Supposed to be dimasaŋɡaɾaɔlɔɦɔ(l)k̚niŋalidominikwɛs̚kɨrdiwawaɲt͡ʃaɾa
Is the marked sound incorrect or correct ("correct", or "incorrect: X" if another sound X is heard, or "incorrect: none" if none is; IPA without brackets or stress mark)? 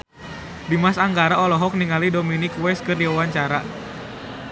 incorrect: none